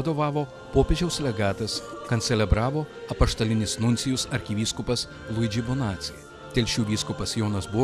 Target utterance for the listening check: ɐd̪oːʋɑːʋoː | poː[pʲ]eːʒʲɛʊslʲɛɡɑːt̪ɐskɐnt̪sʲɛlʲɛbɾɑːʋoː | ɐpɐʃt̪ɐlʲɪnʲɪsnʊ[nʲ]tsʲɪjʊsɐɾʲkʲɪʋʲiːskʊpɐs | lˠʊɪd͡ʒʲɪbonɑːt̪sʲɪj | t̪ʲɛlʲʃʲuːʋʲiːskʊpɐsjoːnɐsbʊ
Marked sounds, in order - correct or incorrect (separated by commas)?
correct, correct